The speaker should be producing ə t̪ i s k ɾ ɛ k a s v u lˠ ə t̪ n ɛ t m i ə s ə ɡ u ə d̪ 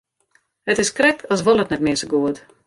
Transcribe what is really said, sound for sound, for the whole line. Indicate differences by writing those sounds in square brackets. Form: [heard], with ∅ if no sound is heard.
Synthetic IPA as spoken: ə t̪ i s k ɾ ɛ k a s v [ɔ] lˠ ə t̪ n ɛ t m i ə s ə ɡ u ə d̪